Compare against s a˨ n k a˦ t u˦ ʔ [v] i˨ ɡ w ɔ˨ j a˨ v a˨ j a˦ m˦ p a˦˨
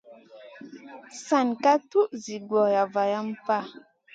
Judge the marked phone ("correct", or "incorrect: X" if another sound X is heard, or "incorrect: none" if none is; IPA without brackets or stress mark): incorrect: z